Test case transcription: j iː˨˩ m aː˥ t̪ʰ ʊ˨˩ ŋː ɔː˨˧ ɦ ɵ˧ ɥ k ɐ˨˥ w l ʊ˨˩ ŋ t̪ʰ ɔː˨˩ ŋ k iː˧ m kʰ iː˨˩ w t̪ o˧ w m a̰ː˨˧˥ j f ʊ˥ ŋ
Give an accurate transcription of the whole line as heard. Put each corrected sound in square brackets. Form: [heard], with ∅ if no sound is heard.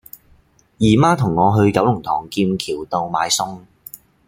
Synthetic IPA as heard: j iː˨˩ m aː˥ t̪ʰ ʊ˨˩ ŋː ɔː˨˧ ɦ ɵ˧ ɥ k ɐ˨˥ w l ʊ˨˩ ŋ t̪ʰ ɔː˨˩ ŋ k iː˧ m kʰ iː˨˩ w t̪ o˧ w m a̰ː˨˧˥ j [s] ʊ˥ ŋ